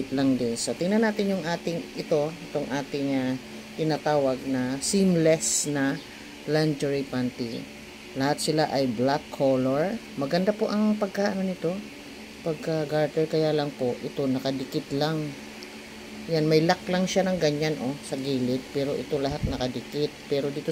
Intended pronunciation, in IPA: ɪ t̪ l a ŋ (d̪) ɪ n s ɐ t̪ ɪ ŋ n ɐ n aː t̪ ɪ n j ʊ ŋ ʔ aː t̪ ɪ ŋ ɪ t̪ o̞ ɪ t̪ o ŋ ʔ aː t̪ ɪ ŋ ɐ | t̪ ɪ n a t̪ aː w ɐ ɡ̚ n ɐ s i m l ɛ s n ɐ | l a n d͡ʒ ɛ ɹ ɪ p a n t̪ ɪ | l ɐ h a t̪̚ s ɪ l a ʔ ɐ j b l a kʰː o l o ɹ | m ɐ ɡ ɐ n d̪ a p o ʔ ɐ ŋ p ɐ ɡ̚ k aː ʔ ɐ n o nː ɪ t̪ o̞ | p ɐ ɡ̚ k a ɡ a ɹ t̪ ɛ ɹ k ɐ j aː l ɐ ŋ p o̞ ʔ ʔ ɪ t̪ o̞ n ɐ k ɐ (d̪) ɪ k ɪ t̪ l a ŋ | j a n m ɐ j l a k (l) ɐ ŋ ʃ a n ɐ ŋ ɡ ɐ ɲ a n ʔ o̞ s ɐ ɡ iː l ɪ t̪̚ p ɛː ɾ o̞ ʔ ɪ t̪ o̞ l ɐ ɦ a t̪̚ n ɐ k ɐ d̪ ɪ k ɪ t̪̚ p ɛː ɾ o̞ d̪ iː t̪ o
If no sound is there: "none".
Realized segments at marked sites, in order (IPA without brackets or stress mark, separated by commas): d̪, d̪, l